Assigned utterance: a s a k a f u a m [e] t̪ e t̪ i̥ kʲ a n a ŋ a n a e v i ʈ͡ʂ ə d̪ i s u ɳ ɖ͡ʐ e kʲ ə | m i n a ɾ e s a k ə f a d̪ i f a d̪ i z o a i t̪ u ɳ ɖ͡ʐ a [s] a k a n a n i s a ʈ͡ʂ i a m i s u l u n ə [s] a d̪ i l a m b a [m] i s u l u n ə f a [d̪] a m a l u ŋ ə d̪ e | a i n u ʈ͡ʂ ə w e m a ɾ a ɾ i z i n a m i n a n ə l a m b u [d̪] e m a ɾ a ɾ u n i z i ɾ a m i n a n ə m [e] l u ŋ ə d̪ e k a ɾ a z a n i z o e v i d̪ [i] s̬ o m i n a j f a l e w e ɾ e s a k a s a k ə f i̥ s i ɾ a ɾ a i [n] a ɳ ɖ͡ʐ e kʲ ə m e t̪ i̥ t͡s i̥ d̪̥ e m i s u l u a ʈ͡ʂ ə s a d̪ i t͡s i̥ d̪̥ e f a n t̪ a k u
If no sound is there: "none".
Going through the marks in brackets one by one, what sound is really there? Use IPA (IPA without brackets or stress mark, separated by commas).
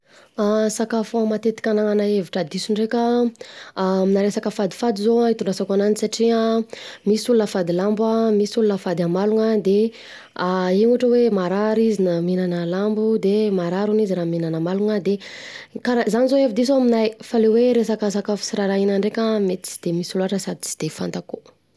a, s, f, m, d̪, d̪, a, i, n